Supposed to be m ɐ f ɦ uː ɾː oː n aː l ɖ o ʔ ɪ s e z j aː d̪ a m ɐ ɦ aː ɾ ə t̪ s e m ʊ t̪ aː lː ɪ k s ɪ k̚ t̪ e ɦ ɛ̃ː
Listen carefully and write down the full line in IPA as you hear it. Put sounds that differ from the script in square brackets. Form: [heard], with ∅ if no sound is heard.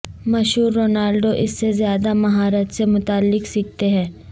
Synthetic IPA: m ɐ [ʃ] ɦ uː ɾː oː n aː l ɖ o ʔ ɪ [sː] e z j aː d̪ a m ɐ ɦ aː ɾ ə t̪ s e m ʊ t̪ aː lː ɪ k s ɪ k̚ t̪ e ɦ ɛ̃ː

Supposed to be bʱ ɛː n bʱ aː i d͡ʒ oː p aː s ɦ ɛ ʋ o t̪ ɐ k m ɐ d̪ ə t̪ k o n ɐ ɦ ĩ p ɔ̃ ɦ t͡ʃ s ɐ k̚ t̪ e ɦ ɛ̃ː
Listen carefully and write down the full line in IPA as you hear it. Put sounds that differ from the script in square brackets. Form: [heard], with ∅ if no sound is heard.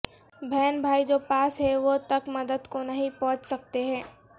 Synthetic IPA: bʱ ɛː n bʱ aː i d͡ʒ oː p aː s ɦ ɛ ʋ o t̪ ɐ k m ɐ d̪ ə [d̪] k o n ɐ ɦ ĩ p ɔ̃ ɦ t͡ʃ s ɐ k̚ t̪ e ɦ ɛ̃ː

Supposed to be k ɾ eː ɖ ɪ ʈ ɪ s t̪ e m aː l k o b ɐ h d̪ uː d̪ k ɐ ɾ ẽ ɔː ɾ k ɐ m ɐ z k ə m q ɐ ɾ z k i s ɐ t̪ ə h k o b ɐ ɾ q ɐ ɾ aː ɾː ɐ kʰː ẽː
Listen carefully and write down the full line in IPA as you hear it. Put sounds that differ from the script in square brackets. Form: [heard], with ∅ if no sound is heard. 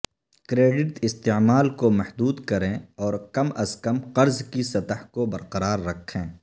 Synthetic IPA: k ɾ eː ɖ ɪ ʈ ɪ s t̪ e m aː l k o [m] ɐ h d̪ uː d̪ k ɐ ɾ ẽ ɔː ɾ k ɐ m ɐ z k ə m q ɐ ɾ z k i s ɐ t̪ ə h k o b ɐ ɾ q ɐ ɾ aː ɾː ɐ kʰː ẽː

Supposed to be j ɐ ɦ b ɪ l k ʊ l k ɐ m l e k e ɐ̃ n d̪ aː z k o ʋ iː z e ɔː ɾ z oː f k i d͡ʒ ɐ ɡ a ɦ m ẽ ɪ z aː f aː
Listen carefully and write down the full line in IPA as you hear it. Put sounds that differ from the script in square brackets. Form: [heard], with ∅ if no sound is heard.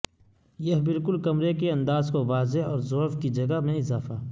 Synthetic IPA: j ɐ ɦ b ɪ l k ʊ l k ɐ m [ɾ] e k e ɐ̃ n d̪ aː z k o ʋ [aː] z e ɔː ɾ z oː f k i d͡ʒ ɐ ɡ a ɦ m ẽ ɪ z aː f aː

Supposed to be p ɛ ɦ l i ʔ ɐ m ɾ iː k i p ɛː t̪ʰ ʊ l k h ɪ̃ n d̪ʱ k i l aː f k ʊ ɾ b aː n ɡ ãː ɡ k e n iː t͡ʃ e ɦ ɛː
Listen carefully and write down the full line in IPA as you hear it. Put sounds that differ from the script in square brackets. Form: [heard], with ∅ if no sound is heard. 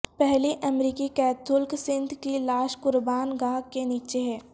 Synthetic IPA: p ɛ ɦ l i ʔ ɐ m ɾ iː k i [k] ɛː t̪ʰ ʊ l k [s] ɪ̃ n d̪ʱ k i l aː [ʃ] k ʊ ɾ b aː n ɡ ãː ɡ k e n iː t͡ʃ e ɦ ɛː

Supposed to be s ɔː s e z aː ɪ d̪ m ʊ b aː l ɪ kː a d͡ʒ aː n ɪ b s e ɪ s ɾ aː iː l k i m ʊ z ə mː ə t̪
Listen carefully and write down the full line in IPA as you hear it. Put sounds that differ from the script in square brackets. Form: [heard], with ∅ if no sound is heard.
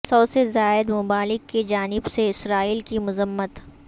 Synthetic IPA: s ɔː s e z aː ɪ d̪ m ʊ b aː l ɪ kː [e] d͡ʒ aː n ɪ b s e ɪ s ɾ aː iː l k i m ʊ z ə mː ə t̪

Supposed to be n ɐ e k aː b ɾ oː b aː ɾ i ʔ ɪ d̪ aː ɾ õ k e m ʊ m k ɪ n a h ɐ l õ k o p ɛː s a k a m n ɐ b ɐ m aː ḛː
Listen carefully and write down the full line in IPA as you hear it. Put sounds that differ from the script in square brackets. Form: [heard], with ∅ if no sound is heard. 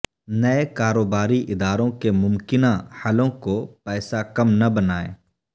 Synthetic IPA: n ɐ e k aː [∅] ɾ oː b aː ɾ i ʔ ɪ d̪ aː ɾ õ k e m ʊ m k ɪ n a h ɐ l õ k o p ɛː s a k [ɐ] m n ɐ b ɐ [n] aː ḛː

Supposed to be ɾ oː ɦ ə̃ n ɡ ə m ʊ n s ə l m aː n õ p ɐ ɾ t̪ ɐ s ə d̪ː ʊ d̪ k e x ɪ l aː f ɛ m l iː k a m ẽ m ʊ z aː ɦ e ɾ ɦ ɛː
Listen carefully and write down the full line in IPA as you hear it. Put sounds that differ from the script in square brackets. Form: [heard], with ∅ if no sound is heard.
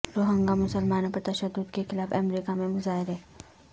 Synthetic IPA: ɾ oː ɦ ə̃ [ŋ] ɡ [a] m ʊ [∅] s ə l m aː n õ p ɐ ɾ t̪ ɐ [ʃ] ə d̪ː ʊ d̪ k e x ɪ l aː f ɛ m [ɾ] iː k a m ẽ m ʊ z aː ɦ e ɾ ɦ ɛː

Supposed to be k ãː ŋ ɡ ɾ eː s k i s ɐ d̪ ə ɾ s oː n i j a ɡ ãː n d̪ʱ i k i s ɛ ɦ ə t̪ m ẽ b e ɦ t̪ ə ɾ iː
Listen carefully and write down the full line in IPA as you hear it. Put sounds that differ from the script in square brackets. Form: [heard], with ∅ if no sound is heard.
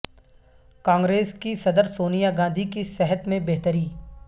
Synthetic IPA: k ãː ŋ ɡ ɾ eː s k i s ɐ d̪ ə ɾ s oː n i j a ɡ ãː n d̪ʱ i k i s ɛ ɦ ə t̪ m ẽ b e ɦ t̪ ə ɾ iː

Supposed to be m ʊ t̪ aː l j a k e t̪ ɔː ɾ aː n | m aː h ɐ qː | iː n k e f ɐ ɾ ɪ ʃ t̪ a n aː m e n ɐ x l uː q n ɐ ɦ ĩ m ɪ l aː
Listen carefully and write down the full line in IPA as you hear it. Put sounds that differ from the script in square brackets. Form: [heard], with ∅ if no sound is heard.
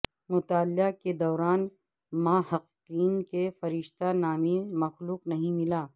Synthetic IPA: m ʊ t̪ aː l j a k e [d̪] ɔː ɾ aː n | m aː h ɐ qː | iː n k e f ɐ ɾ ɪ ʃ t̪ a n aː m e [m] ɐ x l uː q n ɐ ɦ ĩ m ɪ l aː

